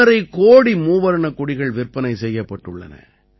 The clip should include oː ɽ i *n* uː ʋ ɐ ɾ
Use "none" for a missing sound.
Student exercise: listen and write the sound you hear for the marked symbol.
m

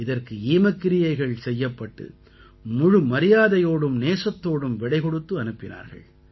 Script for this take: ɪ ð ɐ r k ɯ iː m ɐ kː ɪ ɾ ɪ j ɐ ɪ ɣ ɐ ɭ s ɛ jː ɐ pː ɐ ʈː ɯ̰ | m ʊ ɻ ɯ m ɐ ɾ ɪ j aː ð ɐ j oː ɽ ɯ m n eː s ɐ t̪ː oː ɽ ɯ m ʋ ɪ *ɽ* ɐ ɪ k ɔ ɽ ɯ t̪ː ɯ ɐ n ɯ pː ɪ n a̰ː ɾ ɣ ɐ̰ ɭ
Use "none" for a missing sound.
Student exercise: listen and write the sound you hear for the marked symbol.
ɽ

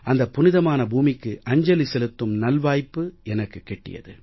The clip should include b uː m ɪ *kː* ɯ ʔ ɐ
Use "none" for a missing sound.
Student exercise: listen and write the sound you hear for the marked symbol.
kː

